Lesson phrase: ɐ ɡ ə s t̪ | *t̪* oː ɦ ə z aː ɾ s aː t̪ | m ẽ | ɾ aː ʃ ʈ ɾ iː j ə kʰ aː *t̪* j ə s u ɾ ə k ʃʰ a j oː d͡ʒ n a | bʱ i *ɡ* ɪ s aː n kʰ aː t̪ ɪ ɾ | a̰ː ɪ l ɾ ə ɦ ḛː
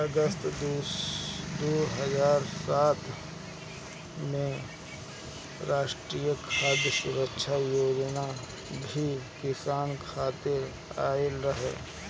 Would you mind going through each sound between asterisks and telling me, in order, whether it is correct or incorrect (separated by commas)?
incorrect, incorrect, incorrect